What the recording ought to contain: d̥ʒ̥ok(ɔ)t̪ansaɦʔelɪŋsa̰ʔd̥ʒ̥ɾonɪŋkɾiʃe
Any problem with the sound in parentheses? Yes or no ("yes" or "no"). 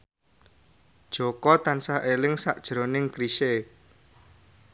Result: no